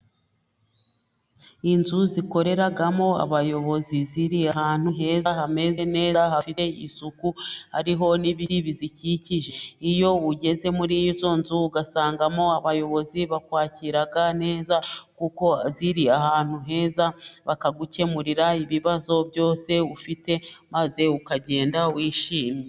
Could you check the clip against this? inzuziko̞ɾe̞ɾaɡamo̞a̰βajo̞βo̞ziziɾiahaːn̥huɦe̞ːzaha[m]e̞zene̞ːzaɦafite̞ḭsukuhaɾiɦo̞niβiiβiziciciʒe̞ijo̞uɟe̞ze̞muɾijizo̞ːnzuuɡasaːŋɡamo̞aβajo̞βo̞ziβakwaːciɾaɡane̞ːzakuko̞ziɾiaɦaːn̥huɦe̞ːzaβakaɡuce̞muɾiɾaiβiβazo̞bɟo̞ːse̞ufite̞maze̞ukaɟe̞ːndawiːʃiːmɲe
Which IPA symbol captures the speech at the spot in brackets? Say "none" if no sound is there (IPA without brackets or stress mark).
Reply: m